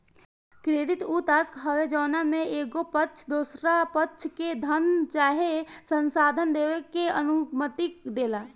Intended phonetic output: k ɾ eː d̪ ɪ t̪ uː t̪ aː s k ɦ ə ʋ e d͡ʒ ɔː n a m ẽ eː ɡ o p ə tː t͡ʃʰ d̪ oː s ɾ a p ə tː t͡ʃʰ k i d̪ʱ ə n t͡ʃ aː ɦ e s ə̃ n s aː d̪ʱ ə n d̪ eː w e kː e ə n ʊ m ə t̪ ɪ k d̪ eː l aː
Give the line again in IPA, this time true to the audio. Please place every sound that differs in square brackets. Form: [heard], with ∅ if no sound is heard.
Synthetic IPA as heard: k ɾ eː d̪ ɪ t̪ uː t̪ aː s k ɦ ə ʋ e d͡ʒ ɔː n a m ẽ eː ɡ o p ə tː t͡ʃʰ d̪ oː s ɾ a p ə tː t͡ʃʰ k [e] d̪ʱ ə n t͡ʃ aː ɦ e s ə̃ n s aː d̪ʱ ə n d̪ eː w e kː e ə n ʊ m ə t̪ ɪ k d̪ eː l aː